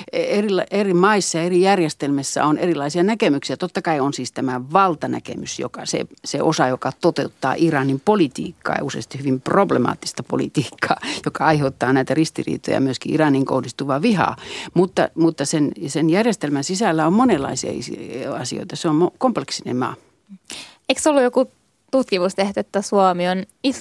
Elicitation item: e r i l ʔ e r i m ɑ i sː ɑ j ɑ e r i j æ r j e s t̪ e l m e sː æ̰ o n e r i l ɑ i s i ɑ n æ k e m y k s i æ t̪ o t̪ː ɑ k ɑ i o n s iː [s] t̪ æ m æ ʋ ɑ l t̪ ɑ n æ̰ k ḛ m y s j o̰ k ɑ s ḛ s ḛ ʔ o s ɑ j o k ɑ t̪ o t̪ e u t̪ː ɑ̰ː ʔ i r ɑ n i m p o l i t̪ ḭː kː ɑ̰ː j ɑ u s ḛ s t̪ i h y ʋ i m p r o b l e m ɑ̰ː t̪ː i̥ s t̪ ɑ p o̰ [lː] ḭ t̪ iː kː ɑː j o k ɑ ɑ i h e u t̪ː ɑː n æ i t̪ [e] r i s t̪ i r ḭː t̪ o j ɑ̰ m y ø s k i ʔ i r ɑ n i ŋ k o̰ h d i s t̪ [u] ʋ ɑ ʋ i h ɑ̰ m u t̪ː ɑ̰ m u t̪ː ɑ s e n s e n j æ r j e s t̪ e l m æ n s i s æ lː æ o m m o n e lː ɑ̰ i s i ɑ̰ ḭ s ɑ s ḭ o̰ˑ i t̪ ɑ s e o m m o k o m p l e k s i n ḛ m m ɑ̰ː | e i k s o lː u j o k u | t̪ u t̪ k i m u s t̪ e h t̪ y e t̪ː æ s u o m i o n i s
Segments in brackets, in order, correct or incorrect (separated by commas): correct, incorrect, incorrect, correct